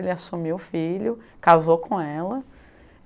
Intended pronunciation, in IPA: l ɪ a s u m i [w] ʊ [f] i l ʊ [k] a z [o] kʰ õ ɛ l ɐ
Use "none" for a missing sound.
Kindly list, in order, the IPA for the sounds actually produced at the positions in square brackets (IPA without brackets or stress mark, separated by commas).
w, f, k, o